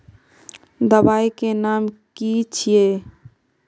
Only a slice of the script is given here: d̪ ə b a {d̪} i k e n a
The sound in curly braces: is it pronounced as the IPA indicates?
no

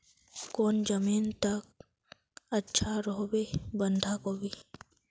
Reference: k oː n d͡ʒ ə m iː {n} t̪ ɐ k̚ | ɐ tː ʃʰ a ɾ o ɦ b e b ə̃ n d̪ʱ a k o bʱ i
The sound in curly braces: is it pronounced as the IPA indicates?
yes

